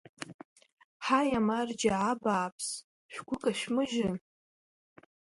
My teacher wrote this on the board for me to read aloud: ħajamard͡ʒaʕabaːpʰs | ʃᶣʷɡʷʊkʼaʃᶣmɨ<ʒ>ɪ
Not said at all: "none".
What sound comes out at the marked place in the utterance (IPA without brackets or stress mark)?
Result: ʒ